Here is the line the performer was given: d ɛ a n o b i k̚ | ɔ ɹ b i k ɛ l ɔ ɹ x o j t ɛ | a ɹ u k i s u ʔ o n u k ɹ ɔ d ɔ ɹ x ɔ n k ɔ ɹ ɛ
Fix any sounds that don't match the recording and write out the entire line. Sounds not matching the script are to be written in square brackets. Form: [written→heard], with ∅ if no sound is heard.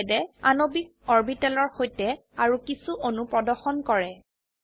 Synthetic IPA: d ɛ a n o b i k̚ | ɔ ɹ b i [k→t] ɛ l ɔ ɹ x o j t ɛ | a ɹ u k i s u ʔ o n u [k→p] ɹ ɔ d ɔ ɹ x ɔ n k ɔ ɹ ɛ